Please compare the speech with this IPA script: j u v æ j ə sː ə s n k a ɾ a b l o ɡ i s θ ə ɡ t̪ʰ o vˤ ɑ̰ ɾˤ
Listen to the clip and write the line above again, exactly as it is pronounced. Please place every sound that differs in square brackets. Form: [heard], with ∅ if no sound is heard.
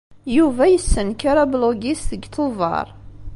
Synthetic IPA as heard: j u v æ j ə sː ə [∅] n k a ɾ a b l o ɡ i s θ ə ɡ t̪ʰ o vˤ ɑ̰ ɾˤ